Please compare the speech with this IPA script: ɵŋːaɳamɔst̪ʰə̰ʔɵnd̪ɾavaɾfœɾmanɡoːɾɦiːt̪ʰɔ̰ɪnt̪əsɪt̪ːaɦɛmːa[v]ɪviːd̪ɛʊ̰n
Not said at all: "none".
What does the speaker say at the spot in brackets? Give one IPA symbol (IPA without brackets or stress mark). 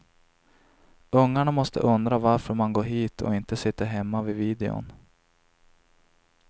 v